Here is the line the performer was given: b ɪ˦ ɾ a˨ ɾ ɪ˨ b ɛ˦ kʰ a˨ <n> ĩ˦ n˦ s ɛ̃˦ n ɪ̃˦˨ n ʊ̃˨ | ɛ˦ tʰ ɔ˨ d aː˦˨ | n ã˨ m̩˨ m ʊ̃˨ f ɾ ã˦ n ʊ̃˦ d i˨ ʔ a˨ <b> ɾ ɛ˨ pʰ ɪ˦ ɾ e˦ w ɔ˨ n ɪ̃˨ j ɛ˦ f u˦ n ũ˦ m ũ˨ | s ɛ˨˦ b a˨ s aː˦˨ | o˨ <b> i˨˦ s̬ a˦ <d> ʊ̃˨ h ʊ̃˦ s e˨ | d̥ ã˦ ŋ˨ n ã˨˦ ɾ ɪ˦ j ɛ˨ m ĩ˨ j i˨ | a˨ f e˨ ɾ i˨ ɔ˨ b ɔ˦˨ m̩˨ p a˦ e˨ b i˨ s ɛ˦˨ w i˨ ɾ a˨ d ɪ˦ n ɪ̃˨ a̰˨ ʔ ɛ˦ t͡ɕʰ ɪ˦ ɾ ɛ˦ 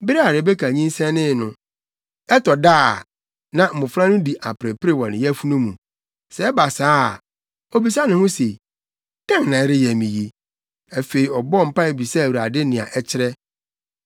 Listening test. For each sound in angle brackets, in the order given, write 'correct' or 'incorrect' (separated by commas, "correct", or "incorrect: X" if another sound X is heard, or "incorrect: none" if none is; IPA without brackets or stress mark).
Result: incorrect: ɲ, incorrect: p, correct, incorrect: n